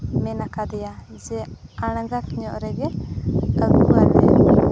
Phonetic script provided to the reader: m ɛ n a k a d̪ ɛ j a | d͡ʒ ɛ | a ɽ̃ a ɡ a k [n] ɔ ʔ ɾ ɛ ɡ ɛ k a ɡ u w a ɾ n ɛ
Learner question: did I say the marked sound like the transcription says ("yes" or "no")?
no